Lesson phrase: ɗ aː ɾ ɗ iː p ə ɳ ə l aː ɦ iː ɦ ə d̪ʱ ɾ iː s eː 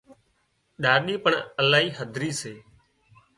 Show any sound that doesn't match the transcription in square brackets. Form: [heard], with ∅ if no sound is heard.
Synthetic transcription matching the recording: ɗ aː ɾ ɗ iː p ə ɳ ə l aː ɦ iː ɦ ə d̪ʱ ɾ iː s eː